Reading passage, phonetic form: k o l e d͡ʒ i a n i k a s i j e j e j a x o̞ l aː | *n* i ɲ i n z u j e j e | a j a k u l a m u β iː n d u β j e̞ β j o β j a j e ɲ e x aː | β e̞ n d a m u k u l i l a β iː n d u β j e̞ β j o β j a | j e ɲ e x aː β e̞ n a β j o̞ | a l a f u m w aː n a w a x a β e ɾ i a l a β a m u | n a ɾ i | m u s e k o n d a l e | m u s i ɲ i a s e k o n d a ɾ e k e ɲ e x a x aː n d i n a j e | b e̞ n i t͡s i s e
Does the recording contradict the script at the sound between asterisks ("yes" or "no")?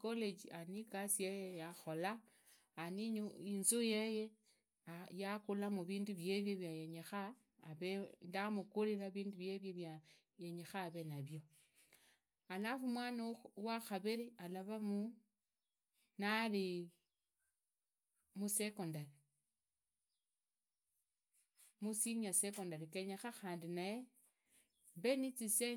no